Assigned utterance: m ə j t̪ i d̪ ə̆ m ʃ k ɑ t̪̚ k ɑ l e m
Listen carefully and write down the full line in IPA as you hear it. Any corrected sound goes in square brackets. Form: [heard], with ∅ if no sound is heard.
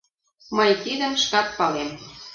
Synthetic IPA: m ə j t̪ i d̪ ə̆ m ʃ k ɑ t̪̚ [p] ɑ l e m